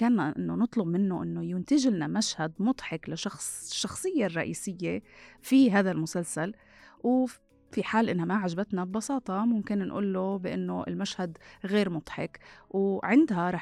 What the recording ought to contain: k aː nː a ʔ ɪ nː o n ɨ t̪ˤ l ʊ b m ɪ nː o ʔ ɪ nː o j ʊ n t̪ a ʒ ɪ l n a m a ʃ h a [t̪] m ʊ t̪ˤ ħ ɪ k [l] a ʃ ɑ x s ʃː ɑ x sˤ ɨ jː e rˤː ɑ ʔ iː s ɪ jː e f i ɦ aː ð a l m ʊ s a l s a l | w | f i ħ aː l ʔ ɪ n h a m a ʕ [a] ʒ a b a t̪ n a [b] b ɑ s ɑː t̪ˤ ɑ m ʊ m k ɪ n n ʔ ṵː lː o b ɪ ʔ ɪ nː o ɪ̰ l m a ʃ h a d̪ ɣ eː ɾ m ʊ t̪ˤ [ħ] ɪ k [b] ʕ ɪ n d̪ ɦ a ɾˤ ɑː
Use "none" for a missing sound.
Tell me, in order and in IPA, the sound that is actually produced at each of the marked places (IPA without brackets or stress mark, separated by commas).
d̪, l, a, b, ħ, w